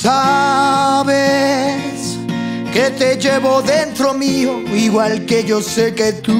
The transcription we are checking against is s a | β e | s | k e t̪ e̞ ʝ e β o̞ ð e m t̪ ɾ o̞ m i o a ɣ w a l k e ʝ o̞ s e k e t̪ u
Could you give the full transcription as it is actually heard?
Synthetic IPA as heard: s a | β e | s | k e t̪ e̞ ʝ e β o̞ ð e n t̪ ɾ o̞ m i o i ɣ w a l k e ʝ o̞ s e k e t̪ u